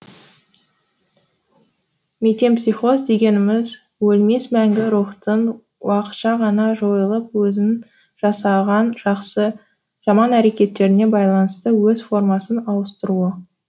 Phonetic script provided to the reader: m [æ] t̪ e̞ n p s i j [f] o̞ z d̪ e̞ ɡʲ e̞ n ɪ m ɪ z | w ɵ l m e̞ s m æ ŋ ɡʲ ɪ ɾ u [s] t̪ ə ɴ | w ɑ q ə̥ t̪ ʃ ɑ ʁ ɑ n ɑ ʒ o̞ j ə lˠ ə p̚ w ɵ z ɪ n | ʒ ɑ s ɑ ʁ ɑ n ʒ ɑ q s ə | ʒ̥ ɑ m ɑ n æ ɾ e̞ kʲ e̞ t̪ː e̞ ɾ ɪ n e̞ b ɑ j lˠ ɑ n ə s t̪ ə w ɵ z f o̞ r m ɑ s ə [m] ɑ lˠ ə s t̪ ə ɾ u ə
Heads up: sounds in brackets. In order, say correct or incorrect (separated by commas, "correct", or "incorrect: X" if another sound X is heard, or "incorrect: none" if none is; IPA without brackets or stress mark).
incorrect: e, incorrect: χ, incorrect: χ, incorrect: n